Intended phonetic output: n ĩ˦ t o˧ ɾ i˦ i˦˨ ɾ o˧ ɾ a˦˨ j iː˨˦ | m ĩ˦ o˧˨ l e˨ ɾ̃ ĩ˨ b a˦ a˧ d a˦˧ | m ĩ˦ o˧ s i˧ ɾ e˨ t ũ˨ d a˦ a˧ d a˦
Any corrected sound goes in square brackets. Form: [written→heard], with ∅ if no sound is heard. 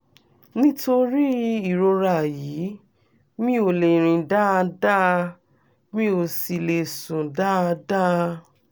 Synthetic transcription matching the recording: n ĩ˦ t o˧ ɾ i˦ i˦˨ ɾ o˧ ɾ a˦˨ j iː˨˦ | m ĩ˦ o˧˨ l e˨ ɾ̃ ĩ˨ [b→d] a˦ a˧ d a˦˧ | m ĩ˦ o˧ s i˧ [ɾ→l] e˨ [t→s] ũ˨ d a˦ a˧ d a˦